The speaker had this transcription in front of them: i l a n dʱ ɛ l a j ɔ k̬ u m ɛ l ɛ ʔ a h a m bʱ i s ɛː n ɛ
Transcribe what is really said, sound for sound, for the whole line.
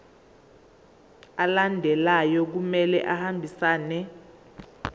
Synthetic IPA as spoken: a l a n dʱ ɛ l a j ɔ k̬ u m ɛ l ɛ ʔ a h a m bʱ i s aː n ɛ